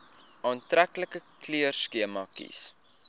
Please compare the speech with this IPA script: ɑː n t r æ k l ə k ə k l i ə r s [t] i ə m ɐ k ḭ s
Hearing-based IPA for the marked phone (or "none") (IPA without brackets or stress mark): k